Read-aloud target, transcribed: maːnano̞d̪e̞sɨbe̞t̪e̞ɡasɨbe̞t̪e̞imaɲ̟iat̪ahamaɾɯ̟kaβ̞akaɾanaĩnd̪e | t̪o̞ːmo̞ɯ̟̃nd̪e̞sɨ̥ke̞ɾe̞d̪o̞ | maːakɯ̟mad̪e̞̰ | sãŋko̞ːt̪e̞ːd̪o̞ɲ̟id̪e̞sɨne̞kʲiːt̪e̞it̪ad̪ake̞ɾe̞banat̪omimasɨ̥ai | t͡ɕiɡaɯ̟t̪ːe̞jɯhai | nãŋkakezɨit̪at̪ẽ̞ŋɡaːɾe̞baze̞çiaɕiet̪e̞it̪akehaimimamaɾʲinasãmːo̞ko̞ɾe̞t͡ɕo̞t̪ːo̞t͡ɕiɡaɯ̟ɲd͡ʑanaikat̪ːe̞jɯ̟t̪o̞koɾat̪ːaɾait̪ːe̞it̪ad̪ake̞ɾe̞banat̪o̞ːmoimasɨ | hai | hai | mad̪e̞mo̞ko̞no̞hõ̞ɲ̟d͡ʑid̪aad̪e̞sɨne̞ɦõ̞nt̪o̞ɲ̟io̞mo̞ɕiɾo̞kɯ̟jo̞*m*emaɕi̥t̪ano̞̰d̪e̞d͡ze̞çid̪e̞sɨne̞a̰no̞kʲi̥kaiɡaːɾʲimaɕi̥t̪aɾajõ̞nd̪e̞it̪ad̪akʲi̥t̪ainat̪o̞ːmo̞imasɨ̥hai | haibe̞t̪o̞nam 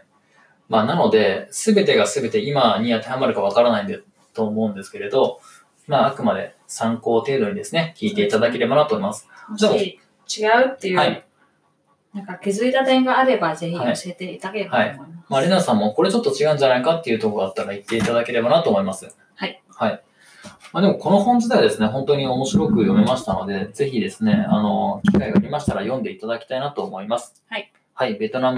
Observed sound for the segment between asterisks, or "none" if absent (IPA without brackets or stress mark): m